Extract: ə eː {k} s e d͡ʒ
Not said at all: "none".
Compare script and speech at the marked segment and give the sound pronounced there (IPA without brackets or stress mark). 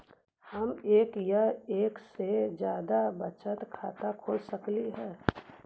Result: k